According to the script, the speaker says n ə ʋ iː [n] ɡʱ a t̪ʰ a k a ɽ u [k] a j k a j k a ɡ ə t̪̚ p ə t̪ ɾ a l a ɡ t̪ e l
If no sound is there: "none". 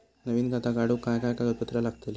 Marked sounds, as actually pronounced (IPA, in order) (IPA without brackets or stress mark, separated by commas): n, k